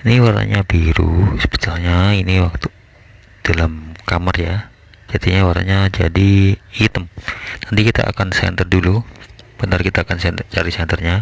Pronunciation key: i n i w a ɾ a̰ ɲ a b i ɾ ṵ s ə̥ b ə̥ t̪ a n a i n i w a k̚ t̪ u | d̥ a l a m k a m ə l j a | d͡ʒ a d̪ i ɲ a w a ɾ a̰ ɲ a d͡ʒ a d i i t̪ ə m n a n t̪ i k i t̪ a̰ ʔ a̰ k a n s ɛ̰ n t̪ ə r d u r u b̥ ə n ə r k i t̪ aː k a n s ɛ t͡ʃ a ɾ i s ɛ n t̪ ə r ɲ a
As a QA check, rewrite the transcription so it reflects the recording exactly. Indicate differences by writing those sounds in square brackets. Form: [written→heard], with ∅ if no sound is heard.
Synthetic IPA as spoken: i n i w a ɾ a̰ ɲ a b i ɾ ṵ s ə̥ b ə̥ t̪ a [n→ɲ] a i n i w a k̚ t̪ u | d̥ a l a m k a m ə [l→r] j a | d͡ʒ a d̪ i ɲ a w a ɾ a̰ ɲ a d͡ʒ a d i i t̪ ə m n a n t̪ i k i t̪ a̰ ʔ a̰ k a n s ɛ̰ n t̪ ə r d u [r→l] u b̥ ə n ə r k i t̪ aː k a n s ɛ t͡ʃ a ɾ i s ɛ n t̪ ə r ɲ a